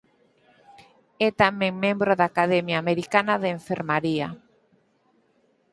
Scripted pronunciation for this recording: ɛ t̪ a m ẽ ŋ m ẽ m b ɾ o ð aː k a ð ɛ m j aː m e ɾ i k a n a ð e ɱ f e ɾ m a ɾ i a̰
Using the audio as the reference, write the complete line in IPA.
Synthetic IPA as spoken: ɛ t̪ a m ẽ ŋ m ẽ m b ɾ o ð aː k a ð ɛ m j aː m e ɾ i k a n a ð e ɱ f e ɾ m a ɾ i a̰